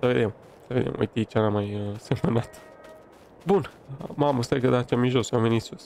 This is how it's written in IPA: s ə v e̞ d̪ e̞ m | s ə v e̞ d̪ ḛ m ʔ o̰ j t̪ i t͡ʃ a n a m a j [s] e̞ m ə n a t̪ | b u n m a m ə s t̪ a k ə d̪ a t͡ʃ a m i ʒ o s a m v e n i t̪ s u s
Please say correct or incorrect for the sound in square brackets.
correct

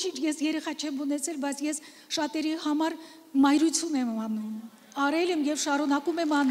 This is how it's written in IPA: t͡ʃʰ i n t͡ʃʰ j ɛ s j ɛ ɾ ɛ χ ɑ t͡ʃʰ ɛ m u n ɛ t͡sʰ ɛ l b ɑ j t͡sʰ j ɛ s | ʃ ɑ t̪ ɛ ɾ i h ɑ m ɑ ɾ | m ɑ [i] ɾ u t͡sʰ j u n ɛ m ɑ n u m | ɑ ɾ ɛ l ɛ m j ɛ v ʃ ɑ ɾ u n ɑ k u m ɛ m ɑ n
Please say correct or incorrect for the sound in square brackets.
incorrect: j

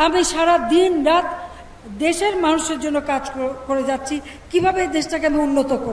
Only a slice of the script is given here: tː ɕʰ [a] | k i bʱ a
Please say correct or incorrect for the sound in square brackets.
incorrect: i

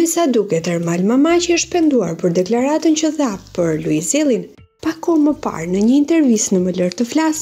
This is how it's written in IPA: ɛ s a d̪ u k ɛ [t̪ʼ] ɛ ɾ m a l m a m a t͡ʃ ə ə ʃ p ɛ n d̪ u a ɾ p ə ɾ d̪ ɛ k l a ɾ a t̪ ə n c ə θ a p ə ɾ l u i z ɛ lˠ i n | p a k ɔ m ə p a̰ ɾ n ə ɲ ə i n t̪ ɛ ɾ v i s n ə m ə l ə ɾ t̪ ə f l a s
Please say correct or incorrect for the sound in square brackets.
incorrect: t̪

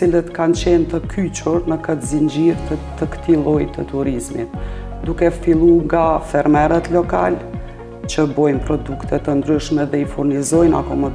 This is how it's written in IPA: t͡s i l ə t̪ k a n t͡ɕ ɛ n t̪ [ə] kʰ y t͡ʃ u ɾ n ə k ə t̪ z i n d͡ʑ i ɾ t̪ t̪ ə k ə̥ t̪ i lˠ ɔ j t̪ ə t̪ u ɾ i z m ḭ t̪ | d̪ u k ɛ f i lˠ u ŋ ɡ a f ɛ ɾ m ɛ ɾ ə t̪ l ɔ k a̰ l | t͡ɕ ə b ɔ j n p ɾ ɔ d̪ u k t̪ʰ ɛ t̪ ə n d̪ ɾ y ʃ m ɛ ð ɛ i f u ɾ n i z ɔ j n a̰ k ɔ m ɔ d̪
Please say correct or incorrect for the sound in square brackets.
correct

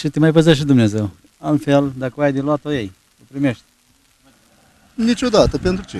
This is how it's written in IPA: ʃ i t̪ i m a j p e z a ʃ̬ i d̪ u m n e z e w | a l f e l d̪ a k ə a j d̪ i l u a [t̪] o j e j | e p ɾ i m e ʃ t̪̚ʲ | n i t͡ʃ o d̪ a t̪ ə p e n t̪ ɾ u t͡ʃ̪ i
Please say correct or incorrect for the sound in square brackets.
correct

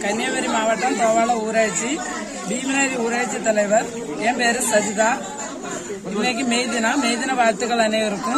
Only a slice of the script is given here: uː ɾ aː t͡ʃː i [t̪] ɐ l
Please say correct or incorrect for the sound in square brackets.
correct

